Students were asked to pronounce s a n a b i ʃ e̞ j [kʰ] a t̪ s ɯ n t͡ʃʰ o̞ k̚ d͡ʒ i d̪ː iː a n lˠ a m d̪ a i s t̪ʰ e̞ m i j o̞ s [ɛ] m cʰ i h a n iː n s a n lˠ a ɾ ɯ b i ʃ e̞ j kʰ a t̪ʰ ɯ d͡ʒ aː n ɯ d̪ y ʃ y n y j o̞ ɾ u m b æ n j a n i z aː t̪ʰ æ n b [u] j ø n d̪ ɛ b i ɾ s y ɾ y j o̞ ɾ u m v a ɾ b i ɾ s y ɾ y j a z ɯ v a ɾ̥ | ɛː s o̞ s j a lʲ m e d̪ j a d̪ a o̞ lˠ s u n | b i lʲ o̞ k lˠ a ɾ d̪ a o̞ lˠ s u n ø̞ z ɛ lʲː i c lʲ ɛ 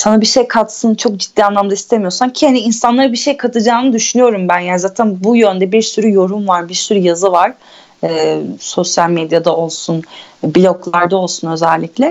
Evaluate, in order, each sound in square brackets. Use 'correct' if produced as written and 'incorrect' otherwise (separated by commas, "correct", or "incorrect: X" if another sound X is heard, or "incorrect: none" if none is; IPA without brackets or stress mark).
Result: correct, incorrect: a, correct